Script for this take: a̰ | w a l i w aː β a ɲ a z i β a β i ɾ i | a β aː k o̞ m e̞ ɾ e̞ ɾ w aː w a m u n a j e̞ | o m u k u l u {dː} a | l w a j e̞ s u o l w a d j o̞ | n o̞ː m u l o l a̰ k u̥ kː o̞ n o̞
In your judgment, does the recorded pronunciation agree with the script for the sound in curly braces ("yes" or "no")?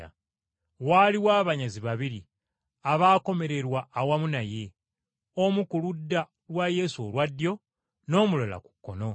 yes